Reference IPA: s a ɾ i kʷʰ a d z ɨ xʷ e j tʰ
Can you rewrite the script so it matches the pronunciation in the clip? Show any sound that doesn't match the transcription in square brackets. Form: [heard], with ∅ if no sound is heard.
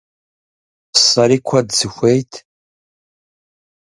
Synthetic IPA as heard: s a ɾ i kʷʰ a d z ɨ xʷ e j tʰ